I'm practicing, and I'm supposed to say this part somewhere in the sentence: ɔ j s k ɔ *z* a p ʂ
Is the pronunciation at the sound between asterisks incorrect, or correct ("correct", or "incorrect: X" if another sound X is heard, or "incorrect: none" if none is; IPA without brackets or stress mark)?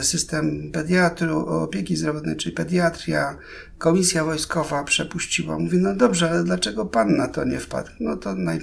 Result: incorrect: v